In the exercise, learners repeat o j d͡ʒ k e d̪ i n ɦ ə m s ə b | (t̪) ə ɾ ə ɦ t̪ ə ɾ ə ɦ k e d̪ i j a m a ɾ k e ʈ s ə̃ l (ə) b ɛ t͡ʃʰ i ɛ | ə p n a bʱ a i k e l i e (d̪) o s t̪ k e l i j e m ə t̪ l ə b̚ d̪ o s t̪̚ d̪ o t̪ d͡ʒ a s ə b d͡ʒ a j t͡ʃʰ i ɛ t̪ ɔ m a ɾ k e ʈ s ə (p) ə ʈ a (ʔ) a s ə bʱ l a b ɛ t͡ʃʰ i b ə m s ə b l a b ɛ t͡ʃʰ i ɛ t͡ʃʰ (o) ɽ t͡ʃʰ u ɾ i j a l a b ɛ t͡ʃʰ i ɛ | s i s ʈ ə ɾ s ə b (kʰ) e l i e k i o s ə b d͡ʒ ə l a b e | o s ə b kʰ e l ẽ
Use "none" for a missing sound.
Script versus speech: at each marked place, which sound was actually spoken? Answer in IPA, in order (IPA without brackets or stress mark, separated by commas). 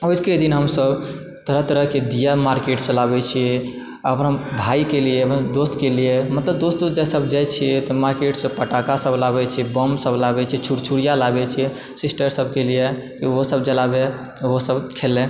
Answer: t̪, a, d̪, p, k, u, k